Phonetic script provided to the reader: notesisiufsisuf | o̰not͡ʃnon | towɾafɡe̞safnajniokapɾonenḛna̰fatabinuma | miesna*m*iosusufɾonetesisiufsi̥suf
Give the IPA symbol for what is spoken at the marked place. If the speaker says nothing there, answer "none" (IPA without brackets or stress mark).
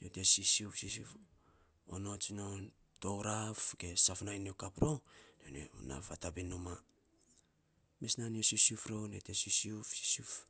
n